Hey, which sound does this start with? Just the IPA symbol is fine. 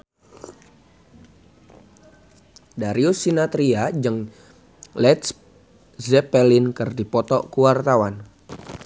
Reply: d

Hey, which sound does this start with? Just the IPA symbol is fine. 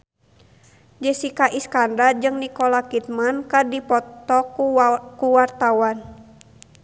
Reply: d͡ʒ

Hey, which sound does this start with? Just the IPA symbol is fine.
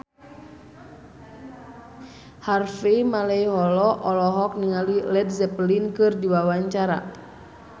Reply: h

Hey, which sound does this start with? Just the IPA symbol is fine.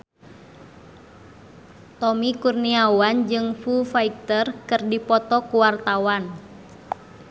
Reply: t̪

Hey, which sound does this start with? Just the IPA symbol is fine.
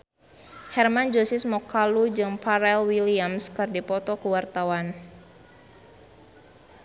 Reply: h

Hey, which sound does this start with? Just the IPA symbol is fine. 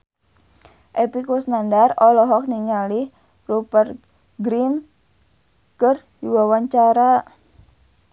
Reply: ʔ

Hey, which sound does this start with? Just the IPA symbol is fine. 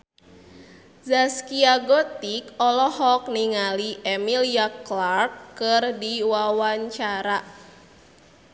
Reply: z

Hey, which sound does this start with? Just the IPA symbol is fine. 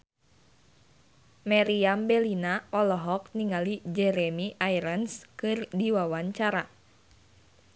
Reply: m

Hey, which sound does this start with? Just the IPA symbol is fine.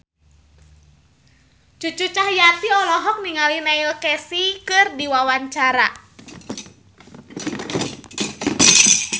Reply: t͡ʃ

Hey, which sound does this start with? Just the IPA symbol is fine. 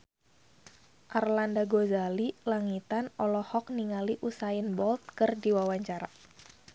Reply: ʔ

